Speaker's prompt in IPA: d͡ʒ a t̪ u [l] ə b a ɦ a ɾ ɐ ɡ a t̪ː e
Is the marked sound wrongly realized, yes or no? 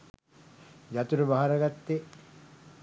yes